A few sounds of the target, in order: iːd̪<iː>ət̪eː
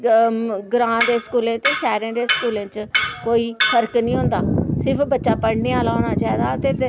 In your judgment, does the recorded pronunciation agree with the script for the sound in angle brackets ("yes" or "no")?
no